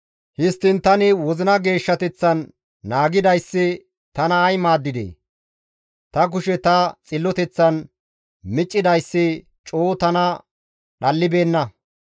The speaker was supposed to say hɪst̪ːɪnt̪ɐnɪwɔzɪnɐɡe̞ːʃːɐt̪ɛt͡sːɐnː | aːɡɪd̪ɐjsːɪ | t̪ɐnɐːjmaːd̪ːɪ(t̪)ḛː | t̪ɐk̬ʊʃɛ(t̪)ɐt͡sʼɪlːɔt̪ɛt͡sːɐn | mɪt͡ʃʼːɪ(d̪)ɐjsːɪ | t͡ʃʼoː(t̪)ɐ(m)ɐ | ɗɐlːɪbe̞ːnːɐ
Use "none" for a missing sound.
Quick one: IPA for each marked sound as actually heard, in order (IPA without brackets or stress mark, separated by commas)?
d̪, t̪, d̪, t̪, n